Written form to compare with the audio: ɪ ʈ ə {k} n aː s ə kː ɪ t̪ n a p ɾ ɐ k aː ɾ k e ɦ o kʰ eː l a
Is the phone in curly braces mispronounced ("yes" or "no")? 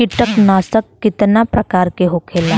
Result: no